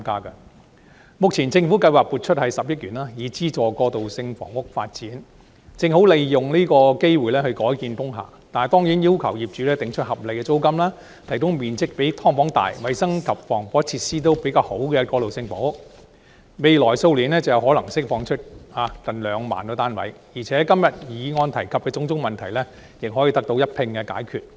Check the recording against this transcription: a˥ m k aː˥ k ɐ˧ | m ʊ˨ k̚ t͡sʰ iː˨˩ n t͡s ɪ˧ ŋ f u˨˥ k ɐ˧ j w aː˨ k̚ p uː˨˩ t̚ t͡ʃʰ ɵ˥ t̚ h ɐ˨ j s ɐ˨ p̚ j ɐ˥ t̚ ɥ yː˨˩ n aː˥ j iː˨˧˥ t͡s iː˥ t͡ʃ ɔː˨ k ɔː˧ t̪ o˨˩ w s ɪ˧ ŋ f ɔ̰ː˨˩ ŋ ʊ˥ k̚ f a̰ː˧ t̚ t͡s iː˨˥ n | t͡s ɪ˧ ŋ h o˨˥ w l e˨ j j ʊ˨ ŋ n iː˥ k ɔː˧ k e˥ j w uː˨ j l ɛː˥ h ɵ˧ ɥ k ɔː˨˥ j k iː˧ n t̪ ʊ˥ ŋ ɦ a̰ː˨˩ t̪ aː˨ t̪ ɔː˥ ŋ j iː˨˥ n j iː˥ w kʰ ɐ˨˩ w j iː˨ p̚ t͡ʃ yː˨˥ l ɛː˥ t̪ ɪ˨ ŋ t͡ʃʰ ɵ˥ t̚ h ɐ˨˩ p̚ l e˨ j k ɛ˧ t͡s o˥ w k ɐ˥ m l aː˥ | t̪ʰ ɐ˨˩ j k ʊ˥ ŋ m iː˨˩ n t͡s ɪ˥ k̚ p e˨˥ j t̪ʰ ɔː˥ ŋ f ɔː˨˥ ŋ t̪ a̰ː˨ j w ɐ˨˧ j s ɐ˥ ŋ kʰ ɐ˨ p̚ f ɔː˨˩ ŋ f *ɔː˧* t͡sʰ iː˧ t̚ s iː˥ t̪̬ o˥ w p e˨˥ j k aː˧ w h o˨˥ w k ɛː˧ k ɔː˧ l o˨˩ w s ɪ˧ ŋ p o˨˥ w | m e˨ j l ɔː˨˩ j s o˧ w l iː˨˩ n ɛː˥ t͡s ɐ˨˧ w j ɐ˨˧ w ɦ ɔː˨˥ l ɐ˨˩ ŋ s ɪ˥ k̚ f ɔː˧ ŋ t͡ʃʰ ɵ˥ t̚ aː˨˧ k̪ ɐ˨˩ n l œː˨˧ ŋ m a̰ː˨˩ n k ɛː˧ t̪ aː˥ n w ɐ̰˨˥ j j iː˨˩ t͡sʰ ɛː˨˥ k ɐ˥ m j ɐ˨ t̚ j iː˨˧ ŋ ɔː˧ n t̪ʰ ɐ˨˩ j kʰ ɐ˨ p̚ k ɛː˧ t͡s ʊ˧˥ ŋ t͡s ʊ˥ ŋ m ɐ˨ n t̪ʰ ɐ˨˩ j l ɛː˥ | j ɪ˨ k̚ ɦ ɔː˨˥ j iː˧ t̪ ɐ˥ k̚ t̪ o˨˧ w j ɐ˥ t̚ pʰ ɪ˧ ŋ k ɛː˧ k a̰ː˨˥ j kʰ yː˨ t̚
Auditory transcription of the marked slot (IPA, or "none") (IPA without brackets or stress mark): ɔː˨˥